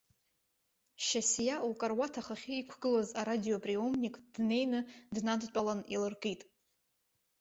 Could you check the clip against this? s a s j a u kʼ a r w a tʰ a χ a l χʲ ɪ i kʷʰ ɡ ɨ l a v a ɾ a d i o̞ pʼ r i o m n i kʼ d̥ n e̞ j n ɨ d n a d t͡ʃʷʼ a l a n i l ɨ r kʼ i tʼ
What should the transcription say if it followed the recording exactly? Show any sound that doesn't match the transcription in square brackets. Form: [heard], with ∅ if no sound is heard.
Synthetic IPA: [ʃ] a s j a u kʼ a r w a tʰ a χ a [∅] χʲ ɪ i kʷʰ ɡ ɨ l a [z] a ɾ a d i o̞ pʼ r i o m n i kʼ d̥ n e̞ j n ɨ d n a d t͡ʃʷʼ a l a n i l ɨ r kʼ i tʼ